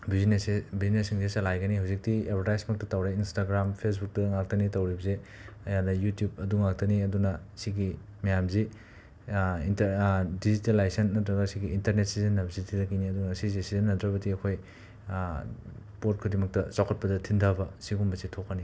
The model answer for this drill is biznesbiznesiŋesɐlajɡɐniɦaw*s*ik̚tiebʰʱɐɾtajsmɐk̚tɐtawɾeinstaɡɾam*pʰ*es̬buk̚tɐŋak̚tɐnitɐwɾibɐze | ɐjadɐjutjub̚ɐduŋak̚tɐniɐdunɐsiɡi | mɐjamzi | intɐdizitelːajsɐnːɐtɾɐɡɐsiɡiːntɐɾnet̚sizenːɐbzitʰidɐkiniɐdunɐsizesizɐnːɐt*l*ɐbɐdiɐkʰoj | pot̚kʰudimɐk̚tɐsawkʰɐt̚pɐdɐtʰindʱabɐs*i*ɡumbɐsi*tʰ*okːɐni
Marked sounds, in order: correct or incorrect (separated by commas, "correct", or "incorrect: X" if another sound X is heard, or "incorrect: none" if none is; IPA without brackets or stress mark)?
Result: incorrect: z, correct, incorrect: ɾ, correct, correct